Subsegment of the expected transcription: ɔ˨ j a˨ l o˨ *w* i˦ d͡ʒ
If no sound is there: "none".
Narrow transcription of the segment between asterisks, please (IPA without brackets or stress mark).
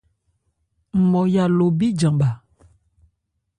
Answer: b